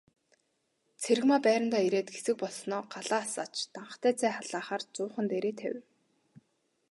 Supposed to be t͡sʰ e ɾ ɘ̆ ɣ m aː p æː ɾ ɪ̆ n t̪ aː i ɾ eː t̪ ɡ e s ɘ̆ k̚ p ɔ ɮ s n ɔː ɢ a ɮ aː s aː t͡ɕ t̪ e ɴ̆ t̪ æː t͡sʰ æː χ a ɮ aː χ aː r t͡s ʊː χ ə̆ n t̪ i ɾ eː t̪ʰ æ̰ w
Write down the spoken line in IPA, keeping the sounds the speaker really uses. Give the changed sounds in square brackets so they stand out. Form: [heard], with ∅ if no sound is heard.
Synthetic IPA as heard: t͡sʰ e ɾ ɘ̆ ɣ m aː p æː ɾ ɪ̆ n t̪ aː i ɾ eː t̪ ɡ e s ɘ̆ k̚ p ɔ ɮ s n ɔː ɢ a ɮ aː s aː t͡ɕ t̪ [a] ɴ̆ t̪ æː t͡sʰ æː χ a ɮ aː χ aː r t͡s ʊː χ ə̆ n t̪ [e] ɾ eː t̪ʰ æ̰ w